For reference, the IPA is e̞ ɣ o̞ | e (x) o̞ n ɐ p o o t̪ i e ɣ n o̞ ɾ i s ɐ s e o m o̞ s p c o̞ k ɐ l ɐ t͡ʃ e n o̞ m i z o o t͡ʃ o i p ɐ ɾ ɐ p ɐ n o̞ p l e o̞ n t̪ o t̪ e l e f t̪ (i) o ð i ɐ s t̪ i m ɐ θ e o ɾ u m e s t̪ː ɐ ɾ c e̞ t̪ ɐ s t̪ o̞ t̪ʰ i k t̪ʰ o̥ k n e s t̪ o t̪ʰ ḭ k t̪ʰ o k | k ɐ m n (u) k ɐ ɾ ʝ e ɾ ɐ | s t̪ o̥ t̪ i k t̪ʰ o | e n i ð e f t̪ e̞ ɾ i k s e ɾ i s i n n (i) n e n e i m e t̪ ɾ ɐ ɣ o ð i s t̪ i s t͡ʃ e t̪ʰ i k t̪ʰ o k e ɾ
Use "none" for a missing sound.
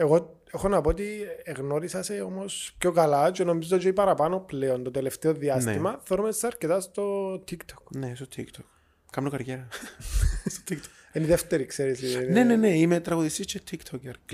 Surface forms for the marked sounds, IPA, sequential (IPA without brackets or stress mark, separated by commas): x, e, o, e